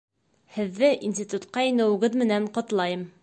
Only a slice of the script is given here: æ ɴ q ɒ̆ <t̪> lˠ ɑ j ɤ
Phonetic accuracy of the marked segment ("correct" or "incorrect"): correct